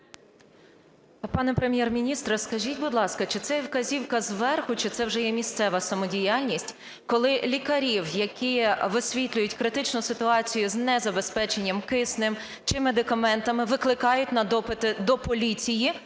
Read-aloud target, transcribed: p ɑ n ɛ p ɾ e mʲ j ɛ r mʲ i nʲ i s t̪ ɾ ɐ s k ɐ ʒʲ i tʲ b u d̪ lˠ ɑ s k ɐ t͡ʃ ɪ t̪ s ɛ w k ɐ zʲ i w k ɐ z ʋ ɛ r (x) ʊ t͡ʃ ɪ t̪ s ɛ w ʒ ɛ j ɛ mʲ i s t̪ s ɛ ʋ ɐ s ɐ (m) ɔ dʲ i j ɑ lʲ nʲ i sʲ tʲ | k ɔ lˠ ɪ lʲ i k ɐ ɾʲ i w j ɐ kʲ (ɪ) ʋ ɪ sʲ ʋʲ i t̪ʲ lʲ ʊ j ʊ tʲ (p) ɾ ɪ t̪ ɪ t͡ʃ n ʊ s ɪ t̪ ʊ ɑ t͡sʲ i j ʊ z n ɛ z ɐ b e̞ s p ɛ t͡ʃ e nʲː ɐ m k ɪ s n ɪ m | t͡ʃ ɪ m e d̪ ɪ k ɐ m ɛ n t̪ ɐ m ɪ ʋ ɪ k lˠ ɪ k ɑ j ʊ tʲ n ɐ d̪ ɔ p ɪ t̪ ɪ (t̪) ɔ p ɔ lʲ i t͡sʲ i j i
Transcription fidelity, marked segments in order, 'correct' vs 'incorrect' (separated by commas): correct, correct, incorrect, incorrect, incorrect